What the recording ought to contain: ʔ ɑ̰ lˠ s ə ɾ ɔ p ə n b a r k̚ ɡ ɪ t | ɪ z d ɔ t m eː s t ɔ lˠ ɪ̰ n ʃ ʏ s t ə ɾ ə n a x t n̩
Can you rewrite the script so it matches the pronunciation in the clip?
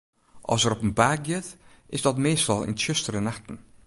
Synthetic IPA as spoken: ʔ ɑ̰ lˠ s ə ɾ ɔ p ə n b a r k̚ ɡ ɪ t | ɪ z d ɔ t m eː s t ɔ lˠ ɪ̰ n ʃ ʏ s t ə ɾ ə n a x t n̩